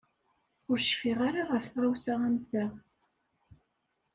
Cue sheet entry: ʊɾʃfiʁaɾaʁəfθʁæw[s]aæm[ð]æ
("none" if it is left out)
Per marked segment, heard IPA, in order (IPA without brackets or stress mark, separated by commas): s, θ